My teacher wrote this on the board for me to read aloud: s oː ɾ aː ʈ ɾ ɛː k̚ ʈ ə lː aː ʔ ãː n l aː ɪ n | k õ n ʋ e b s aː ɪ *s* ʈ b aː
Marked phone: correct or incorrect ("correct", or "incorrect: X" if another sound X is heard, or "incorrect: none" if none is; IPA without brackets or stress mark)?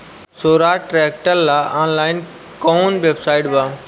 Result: incorrect: none